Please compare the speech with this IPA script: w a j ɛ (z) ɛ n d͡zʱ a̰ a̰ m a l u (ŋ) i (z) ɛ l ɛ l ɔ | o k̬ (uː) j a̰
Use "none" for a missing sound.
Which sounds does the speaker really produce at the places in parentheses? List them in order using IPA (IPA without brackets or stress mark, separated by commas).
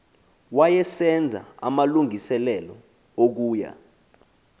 s, ŋ, s, uː